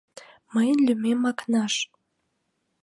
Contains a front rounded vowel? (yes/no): yes